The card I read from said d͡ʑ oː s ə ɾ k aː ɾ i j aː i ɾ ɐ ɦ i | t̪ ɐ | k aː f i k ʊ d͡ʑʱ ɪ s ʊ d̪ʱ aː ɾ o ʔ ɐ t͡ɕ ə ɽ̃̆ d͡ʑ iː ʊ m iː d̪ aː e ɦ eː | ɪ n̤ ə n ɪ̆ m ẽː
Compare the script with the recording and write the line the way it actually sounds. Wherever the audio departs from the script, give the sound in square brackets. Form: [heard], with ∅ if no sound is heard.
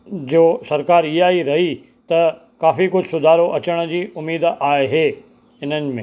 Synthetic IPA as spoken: d͡ʑ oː s [ɐ] ɾ k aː ɾ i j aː i ɾ ɐ ɦ i | t̪ ɐ | k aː f i k ʊ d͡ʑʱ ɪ s ʊ d̪ʱ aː ɾ o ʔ ɐ t͡ɕ ə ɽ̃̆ d͡ʑ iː ʊ m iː d̪ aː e ɦ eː | ɪ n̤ ə n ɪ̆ m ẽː